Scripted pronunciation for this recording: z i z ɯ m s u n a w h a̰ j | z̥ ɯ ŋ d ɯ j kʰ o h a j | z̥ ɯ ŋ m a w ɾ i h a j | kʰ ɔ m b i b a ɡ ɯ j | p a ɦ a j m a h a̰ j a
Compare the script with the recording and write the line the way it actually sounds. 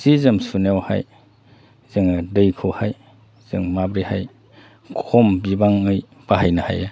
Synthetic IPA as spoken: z i z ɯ m s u n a w h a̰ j | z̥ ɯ ŋ d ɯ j kʰ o h a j | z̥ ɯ ŋ m a b ɾ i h a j | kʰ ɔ m b i b a ŋ ɯ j | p a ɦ a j n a h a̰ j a